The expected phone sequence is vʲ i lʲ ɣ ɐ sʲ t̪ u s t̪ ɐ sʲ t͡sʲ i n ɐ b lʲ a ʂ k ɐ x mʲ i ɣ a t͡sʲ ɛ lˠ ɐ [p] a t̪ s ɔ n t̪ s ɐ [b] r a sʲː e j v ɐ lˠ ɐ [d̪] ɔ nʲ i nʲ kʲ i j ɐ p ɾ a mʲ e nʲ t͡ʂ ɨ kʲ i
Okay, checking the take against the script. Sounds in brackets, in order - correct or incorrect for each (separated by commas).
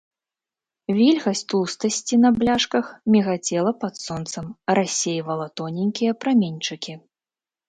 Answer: correct, incorrect, incorrect